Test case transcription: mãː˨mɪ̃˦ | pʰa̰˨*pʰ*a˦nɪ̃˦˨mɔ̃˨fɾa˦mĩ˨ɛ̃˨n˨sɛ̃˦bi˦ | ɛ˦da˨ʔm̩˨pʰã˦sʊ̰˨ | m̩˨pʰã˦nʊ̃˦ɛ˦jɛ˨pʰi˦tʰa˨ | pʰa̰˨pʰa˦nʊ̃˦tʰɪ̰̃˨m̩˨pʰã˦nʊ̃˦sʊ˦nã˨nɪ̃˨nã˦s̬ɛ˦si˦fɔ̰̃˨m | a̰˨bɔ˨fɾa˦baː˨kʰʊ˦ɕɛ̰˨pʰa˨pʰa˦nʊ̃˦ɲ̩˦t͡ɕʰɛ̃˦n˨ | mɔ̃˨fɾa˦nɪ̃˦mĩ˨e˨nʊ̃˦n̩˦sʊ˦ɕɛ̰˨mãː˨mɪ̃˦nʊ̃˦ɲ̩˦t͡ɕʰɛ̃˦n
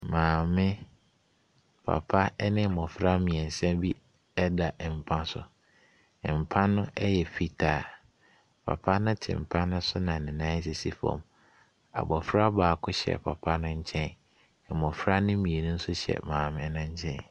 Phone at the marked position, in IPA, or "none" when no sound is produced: pʰ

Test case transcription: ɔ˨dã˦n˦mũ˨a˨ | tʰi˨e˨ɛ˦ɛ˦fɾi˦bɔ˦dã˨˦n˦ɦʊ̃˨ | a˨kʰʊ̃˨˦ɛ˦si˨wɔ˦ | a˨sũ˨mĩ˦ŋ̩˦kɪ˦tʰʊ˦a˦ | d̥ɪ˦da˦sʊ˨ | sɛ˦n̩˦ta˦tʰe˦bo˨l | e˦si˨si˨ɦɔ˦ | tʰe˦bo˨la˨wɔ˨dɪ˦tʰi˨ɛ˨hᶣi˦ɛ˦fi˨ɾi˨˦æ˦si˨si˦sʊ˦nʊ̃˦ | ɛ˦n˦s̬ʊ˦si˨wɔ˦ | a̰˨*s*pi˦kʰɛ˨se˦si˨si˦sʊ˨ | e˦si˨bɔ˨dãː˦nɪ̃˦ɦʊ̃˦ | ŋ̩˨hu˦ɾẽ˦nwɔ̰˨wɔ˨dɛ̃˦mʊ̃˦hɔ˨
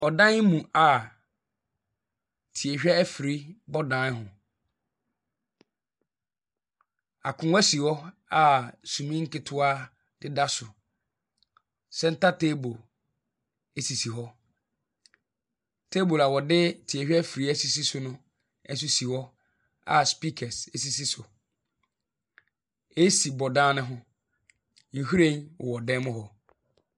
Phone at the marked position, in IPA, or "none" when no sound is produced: s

